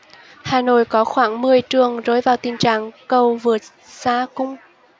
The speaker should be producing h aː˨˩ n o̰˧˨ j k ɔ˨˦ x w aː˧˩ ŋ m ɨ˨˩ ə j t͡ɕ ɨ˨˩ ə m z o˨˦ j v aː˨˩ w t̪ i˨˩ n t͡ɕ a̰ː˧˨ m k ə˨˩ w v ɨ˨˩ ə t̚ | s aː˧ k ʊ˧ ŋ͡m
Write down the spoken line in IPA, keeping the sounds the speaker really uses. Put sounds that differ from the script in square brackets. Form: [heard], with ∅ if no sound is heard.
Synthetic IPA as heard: h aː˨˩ n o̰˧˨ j k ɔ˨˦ x w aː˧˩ ŋ m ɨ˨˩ ə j t͡ɕ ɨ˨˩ ə [ŋ] z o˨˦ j v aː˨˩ w t̪ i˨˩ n t͡ɕ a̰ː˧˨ [ŋ] k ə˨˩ w v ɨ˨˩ ə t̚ | s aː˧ k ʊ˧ ŋ͡m